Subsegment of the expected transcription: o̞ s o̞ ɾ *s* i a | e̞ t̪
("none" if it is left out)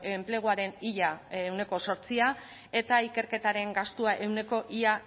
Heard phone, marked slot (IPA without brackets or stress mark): t͡s